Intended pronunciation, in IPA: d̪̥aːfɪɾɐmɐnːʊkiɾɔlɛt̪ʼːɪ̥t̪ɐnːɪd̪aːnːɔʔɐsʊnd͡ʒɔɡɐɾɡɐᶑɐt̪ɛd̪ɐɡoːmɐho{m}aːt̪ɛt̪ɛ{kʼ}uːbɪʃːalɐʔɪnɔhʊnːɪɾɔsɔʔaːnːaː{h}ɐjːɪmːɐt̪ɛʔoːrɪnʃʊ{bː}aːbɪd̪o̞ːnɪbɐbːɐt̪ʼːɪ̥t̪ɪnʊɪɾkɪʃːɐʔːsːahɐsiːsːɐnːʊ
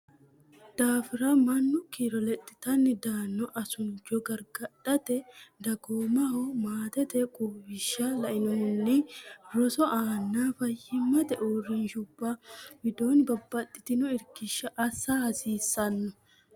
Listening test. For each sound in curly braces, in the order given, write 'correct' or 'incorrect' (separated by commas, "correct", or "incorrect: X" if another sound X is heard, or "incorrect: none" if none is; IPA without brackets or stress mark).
correct, correct, incorrect: f, correct